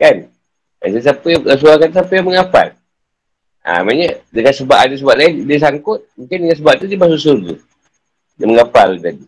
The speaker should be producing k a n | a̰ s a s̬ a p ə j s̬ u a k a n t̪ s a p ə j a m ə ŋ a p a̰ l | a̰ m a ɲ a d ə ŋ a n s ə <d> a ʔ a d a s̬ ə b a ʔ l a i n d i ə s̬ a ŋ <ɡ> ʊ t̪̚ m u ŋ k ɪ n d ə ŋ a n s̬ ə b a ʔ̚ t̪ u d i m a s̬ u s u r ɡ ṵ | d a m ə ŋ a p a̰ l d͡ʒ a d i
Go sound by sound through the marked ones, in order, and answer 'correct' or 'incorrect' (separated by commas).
incorrect, incorrect